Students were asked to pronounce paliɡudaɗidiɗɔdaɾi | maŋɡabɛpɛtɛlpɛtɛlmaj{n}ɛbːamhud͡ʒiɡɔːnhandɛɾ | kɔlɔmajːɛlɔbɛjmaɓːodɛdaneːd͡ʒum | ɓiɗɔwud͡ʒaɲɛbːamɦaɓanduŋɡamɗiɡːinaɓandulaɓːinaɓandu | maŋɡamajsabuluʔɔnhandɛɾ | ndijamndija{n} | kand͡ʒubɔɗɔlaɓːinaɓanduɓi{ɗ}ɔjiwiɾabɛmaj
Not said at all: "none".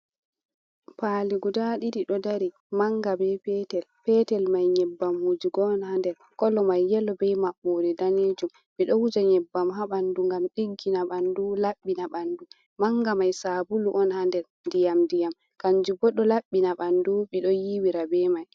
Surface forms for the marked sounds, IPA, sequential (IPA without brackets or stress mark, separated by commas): ɲ, m, ɗ